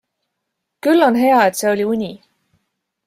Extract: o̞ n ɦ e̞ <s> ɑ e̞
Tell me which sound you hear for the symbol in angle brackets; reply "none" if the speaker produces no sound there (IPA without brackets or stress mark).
none